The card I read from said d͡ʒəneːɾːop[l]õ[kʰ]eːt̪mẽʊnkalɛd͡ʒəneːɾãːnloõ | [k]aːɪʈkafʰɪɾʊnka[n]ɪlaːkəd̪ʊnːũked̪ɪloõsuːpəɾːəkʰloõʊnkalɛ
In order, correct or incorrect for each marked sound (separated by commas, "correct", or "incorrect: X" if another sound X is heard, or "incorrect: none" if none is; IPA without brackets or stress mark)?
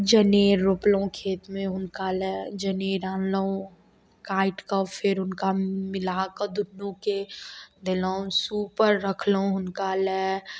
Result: correct, correct, correct, incorrect: m